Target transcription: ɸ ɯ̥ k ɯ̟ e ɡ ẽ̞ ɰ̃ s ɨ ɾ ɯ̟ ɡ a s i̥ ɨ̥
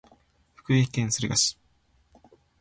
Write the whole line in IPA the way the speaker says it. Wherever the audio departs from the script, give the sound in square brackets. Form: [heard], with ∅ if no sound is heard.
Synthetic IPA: ɸ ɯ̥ k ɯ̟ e [k] ẽ̞ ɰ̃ s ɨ ɾ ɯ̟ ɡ a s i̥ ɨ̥